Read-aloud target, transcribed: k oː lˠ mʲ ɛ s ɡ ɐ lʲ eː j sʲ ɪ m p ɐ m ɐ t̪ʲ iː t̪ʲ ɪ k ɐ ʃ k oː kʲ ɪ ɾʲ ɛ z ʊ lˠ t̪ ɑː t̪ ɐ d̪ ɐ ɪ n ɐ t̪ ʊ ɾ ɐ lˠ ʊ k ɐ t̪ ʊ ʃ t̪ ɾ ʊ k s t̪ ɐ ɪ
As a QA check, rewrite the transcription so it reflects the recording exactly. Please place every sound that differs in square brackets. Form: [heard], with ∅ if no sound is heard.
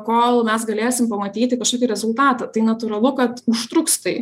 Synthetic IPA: k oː lˠ mʲ ɛ s ɡ ɐ lʲ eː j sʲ ɪ m p ɐ m ɐ t̪ʲ iː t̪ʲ ɪ k ɐ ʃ k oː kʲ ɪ ɾʲ ɛ z ʊ lˠ t̪ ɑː t̪ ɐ [t̪] ɐ ɪ n ɐ t̪ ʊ ɾ ɐ lˠ ʊ k ɐ t̪ ʊ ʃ t̪ ɾ ʊ k s t̪ ɐ ɪ